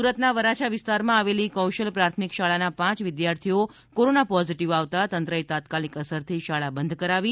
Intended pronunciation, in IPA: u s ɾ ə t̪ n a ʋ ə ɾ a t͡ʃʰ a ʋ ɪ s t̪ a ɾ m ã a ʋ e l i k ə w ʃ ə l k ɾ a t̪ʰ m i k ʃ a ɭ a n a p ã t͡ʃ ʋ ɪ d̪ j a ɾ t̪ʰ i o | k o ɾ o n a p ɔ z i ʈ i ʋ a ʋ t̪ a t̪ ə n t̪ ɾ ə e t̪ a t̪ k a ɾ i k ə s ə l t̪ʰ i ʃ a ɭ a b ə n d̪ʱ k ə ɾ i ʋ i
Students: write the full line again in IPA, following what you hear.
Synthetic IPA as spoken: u ɾ ə t̪ n a ʋ ə ɾ a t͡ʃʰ a ʋ ɪ s t̪ a ɾ m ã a ʋ e l i k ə w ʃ ə l p ɾ a t̪ʰ m i k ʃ a ɭ a n a p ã t͡ʃ ʋ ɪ d̪ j a ɾ t̪ʰ i o | k o ɾ o n a p ɔ z i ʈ i ʋ a ʋ t̪ a t̪ ə n t̪ ɾ ə e t̪ a t̪ k a l i k ə s ə ɾ t̪ʰ i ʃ a ɭ a b ə n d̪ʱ k ə ɾ a ʋ i